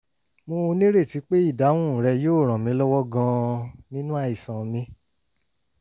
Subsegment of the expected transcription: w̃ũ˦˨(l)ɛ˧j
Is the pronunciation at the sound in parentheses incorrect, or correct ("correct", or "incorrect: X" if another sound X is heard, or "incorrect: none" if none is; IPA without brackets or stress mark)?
incorrect: ɾ